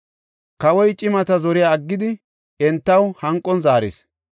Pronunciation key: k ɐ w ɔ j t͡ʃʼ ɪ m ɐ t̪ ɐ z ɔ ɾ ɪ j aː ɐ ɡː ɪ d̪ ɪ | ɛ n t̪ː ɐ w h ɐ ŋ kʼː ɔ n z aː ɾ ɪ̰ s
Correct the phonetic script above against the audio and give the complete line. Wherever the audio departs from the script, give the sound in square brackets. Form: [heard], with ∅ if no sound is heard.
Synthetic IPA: k ɐ w ɔ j t͡ʃʼ ɪ m ɐ t̪ ɐ z ɔ ɾ ɪ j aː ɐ ɡː ɪ d̪ ɪ | ɛ n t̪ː ɐ w h ɐ ŋ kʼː ɔ n z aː ɾ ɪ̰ s